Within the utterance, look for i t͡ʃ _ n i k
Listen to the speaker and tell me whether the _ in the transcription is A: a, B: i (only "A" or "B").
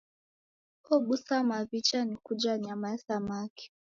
A